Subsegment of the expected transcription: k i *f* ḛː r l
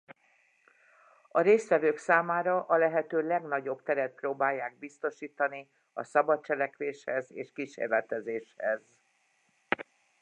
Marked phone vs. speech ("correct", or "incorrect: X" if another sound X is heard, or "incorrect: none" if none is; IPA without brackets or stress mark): incorrect: ʃ